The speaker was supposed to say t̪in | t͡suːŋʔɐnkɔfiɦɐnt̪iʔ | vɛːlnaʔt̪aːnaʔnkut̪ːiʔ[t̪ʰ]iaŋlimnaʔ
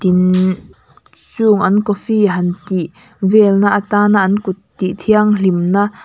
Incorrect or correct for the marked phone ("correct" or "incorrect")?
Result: correct